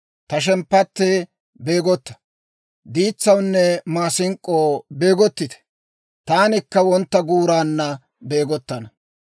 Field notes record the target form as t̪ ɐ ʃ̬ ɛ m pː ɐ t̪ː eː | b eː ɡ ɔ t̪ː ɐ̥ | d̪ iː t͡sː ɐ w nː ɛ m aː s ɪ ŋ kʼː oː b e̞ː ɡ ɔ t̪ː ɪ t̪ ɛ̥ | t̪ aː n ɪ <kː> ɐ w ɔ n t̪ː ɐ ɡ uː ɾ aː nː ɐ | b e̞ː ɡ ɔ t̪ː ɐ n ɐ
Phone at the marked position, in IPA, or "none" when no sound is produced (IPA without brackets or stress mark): kː